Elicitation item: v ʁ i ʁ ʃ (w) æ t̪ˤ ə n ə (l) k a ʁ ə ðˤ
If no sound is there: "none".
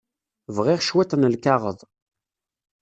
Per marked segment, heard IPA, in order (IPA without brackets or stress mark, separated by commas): w, l